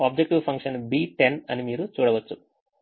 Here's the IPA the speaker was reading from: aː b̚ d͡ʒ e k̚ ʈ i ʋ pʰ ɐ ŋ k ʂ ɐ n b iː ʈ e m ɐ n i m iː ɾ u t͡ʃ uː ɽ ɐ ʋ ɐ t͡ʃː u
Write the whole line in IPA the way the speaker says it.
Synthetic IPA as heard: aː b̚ d͡ʒ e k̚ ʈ i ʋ pʰ ɐ ŋ k ʂ ɐ n b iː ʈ e n ɐ n i m iː ɾ u t͡ʃ uː ɽ ɐ ʋ ɐ t͡ʃː u